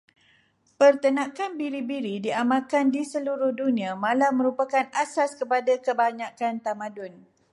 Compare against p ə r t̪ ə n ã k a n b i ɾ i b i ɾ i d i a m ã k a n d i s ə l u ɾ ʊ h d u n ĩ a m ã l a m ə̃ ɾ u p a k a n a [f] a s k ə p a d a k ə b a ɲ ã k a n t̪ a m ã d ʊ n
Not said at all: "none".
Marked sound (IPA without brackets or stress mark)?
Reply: s